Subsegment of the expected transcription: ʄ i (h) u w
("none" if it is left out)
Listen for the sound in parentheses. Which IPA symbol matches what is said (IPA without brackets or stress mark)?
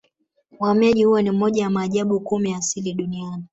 h